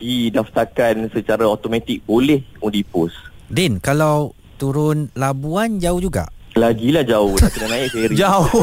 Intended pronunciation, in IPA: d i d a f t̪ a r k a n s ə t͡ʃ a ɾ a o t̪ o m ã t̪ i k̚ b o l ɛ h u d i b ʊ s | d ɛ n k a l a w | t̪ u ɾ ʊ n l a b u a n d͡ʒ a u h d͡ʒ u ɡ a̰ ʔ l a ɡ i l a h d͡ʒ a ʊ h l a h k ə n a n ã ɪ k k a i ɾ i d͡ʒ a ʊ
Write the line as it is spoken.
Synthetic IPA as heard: d i d a f t̪ a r k a n s ə t͡ʃ a ɾ a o t̪ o m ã t̪ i k̚ b o l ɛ h u d i p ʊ s | d ɛ n k a l a w | t̪ u ɾ ʊ n l a b u a n d͡ʒ a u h d͡ʒ u ɡ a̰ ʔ l a ɡ i l a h d͡ʒ a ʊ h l a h k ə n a n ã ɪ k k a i ɾ i d͡ʒ a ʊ